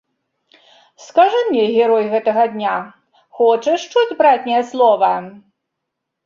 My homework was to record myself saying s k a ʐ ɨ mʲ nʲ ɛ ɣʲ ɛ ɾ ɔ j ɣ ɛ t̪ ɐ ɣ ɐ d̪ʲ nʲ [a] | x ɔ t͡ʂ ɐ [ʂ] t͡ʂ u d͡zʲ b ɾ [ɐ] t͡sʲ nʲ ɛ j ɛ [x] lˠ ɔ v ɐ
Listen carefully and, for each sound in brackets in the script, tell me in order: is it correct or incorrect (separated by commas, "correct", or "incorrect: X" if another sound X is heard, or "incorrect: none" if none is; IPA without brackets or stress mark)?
correct, correct, incorrect: a, incorrect: s